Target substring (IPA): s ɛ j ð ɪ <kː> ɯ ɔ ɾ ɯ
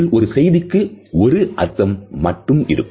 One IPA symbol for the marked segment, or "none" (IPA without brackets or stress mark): kː